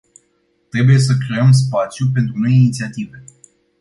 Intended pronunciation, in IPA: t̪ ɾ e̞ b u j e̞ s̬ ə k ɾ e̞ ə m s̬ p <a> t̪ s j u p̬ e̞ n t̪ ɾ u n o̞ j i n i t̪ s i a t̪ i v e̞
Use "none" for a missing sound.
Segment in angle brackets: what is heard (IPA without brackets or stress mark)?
a